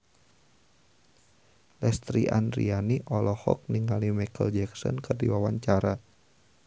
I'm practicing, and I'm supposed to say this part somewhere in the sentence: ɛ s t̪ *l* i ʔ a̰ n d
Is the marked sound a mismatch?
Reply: yes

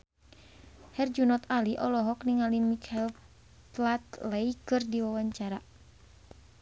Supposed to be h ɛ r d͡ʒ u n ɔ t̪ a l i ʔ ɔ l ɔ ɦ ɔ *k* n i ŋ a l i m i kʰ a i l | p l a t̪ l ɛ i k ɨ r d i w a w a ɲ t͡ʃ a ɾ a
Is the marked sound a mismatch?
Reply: no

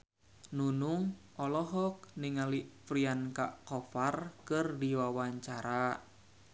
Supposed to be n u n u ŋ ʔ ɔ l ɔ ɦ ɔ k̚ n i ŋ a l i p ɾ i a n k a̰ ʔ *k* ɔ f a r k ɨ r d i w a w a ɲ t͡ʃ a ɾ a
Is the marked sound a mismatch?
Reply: no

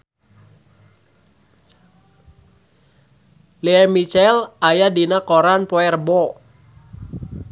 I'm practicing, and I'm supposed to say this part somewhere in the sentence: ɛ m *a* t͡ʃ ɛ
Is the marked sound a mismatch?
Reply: yes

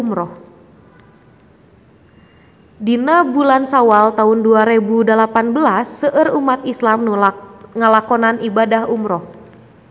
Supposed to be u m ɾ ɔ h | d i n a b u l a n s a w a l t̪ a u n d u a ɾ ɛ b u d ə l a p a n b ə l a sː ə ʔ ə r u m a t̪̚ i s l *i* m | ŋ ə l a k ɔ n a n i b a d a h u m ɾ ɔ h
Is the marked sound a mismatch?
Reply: yes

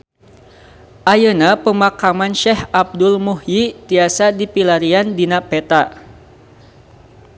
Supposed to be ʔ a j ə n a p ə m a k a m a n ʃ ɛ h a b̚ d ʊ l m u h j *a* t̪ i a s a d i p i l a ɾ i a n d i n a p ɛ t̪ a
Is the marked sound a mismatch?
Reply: yes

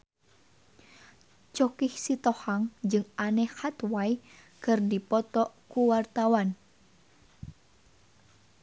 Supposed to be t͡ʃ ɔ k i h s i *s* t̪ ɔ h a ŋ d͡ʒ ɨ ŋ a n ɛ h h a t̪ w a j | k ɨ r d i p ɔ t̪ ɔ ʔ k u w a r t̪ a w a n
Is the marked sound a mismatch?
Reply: yes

